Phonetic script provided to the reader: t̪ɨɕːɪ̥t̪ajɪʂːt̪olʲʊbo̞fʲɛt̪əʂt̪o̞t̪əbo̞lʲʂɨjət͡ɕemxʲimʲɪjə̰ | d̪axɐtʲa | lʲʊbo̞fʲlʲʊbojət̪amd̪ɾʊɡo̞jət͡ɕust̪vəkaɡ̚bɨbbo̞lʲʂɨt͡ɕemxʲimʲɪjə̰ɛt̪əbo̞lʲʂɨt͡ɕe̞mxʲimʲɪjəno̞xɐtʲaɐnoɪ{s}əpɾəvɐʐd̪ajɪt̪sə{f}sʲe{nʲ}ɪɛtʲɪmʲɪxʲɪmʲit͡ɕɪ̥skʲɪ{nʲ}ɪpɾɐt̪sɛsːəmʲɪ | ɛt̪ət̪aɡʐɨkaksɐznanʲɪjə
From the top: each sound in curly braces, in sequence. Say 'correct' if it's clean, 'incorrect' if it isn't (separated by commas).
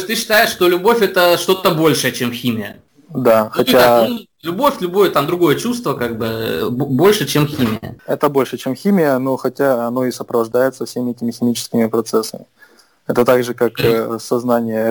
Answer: correct, correct, incorrect, incorrect